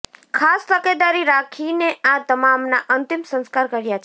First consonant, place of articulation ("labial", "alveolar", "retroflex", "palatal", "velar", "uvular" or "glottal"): velar